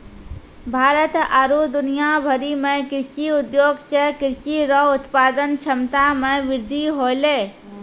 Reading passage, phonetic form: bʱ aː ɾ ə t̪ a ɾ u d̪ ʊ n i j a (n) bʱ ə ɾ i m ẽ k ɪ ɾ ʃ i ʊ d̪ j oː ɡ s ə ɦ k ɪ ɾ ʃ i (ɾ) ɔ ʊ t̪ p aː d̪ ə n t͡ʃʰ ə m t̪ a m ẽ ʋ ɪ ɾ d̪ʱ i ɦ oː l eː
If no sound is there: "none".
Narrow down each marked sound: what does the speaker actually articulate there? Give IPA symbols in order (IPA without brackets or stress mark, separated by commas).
none, ɾ